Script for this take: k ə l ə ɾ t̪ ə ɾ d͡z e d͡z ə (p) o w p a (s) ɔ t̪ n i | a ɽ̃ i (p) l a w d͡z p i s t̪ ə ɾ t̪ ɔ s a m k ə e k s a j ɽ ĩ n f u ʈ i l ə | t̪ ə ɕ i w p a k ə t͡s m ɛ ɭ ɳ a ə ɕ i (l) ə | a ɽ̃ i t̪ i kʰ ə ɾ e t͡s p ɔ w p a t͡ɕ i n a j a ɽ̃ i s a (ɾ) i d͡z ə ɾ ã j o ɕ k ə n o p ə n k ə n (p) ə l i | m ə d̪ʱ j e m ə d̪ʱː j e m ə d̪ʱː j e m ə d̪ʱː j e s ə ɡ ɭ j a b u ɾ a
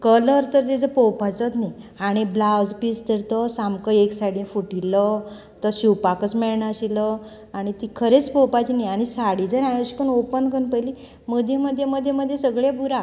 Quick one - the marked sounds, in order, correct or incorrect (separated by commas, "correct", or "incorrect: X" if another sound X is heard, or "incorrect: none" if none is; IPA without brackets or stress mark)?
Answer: correct, incorrect: t͡s, incorrect: b, correct, incorrect: ɽ, correct